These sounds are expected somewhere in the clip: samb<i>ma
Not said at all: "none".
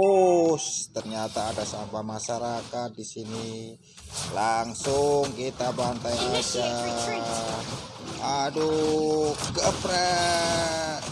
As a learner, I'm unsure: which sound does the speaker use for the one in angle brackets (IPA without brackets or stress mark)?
a